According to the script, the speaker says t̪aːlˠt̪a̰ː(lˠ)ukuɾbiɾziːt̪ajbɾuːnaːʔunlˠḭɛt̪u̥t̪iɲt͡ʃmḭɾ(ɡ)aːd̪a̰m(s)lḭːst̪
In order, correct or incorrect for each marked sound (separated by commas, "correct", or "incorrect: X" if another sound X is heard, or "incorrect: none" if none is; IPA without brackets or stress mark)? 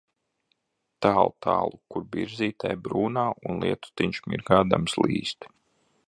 correct, correct, correct